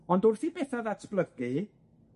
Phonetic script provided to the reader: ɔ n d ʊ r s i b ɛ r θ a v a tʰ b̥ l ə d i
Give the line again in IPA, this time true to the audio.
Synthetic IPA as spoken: ɔ n d ʊ r θ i b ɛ θ a ð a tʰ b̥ l ə ɡ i